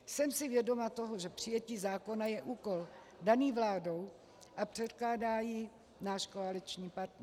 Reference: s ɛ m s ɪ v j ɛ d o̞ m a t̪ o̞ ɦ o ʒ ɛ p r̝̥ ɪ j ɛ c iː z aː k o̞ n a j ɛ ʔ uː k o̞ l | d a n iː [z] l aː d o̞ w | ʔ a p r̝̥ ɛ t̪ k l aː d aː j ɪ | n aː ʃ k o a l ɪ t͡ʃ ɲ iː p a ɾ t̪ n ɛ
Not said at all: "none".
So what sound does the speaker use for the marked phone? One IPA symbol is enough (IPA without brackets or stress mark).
v